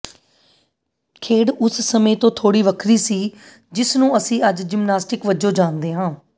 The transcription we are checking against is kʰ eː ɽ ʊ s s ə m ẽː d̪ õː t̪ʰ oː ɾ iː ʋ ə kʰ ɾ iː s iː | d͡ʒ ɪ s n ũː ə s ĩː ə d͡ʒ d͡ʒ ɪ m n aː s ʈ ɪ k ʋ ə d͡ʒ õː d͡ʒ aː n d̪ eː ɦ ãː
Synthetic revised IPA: kʰ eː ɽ ʊ s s ə m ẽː t̪ õː t̪ʰ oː ɽ iː ʋ ə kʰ ɾ iː s iː | d͡ʒ ɪ s n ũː ə s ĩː ə d͡ʒ d͡ʒ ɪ m n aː s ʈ ɪ k ʋ ə d͡ʒ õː d͡ʒ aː n d̪ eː ɦ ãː